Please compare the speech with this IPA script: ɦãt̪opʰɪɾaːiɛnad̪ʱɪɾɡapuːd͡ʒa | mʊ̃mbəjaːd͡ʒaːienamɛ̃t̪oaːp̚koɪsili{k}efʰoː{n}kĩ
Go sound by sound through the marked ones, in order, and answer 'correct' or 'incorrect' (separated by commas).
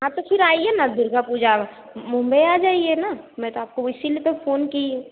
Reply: incorrect, correct